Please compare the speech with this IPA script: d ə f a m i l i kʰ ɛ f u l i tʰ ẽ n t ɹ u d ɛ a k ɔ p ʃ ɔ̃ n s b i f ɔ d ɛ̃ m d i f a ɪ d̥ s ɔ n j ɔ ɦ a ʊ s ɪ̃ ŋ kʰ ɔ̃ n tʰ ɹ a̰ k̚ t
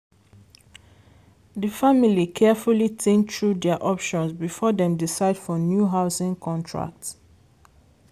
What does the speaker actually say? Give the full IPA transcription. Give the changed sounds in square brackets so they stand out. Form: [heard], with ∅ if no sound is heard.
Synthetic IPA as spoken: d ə f a m i l i kʰ ɛ f u l i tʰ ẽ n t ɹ u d ɛ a [ʔ] ɔ p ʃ ɔ̃ n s b i f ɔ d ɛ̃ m d i [s] a ɪ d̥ [f] ɔ n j [u] ɦ a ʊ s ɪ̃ ŋ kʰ ɔ̃ n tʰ ɹ a̰ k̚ t